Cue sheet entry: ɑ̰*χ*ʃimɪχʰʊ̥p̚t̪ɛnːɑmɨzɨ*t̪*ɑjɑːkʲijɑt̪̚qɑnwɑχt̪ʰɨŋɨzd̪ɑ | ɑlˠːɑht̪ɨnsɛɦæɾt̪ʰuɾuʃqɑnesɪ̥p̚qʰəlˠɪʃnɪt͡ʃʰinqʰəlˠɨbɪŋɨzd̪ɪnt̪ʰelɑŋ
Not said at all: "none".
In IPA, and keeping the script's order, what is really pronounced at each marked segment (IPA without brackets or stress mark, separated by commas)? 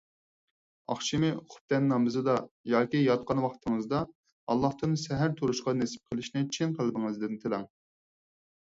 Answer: χ, d̪